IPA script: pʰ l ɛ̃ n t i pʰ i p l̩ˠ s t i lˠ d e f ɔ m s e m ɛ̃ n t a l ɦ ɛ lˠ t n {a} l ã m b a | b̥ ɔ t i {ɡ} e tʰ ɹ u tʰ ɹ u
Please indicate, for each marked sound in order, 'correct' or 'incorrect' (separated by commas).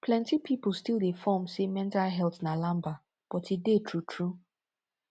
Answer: correct, incorrect